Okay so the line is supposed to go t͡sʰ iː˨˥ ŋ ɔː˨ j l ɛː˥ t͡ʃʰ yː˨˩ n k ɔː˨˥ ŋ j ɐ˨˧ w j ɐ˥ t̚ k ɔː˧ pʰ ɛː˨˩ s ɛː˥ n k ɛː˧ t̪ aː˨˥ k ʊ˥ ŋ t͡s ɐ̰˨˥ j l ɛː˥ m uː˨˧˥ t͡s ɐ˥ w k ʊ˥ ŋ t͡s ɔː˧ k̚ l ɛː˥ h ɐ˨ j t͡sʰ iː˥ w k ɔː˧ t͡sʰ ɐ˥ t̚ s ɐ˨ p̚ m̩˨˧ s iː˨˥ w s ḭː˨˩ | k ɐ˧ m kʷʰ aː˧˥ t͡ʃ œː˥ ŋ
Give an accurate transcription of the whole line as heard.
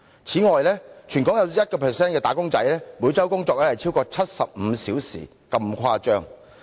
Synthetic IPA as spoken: t͡sʰ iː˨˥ ŋ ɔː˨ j l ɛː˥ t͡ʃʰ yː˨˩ n k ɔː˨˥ ŋ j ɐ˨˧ w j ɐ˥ t̚ k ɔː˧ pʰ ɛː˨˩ s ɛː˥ n k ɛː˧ t̪ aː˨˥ k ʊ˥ ŋ t͡s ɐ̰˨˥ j l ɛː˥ m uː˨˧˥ t͡s ɐ˥ w k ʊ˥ ŋ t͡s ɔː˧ k̚ l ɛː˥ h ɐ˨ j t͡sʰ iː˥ w k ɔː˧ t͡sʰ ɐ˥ t̚ s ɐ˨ p̚ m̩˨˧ s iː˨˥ w s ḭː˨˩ | k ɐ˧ m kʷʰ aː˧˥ t͡ʃ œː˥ ŋ